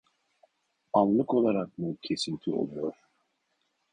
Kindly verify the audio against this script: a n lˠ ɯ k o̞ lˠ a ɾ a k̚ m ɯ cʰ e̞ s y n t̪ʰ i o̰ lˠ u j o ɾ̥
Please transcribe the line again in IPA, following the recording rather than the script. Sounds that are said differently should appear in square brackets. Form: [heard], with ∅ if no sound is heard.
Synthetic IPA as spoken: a n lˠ ɯ k o̞ lˠ a ɾ a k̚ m [u] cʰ e̞ s [i] n t̪ʰ i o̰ lˠ u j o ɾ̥